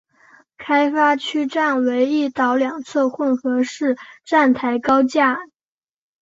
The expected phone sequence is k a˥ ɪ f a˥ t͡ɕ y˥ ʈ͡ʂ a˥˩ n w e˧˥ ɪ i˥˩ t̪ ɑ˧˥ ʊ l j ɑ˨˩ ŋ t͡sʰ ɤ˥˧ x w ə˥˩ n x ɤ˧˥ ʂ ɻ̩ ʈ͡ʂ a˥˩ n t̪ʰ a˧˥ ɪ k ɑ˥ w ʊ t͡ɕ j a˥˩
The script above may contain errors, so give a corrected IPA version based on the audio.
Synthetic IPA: kʰ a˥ ɪ f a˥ t͡ɕʰ y˥ ʈ͡ʂ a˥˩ n w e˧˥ ɪ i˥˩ t̪ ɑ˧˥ ʊ l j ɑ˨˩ ŋ t͡sʰ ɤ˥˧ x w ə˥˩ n x ɤ˧˥ ʂ ɻ̩ ʈ͡ʂ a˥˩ n t̪ʰ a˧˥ ɪ k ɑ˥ ʊ t͡ɕ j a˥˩